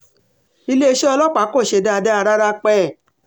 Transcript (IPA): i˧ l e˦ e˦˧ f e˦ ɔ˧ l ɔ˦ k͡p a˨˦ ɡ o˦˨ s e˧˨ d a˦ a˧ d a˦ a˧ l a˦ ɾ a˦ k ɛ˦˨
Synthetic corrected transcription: i˧ l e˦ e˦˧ ʃ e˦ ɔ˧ l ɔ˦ k͡p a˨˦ k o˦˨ ʃ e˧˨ d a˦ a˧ d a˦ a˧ ɾ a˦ ɾ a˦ k͡p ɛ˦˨

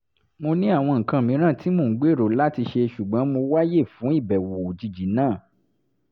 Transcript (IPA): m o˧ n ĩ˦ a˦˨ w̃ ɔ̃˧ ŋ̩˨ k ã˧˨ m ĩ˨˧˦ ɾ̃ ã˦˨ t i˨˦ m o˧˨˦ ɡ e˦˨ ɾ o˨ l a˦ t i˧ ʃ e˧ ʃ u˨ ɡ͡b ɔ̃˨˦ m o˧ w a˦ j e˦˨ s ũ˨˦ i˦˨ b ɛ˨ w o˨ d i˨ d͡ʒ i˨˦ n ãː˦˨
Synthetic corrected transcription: m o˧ n ĩ˦ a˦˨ w̃ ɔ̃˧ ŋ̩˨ k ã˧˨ m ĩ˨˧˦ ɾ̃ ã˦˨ t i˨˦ m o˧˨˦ ɡ͡b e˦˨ ɾ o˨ l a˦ t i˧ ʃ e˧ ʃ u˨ ɡ͡b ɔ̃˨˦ m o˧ w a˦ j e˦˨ f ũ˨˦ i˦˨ b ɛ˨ w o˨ d͡ʒ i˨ d͡ʒ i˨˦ n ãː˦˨

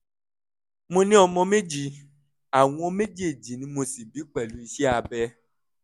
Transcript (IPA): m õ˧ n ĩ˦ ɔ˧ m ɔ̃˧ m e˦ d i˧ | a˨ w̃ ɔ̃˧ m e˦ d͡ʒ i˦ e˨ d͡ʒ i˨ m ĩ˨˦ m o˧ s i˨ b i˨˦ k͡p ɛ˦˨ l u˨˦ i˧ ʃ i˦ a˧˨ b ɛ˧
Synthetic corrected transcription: m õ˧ n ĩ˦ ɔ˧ m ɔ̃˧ m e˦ d͡ʒ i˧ | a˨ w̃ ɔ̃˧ m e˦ d͡ʒ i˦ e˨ d͡ʒ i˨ n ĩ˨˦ m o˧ s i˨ b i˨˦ k͡p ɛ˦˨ l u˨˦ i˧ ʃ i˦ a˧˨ b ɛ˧

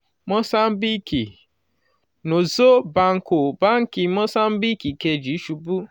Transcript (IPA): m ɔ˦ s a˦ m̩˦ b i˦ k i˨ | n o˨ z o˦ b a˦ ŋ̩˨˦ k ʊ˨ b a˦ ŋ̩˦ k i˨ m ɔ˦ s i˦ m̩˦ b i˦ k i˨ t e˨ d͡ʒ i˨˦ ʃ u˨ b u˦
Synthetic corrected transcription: m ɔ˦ s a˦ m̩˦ b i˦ k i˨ | n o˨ z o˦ b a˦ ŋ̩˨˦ k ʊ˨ b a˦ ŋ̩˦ k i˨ m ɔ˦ s a˦ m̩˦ b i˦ k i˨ k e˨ d͡ʒ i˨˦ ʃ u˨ b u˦

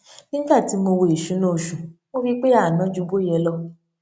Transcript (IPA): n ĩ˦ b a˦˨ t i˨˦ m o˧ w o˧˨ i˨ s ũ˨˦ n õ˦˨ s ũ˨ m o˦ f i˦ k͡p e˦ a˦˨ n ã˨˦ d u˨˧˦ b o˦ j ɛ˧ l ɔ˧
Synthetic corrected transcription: n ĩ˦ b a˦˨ t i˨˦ m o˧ w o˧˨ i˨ ʃ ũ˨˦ n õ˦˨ ʃ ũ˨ m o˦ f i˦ k͡p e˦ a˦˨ n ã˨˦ d͡ʒ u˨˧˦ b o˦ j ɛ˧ l ɔ˧

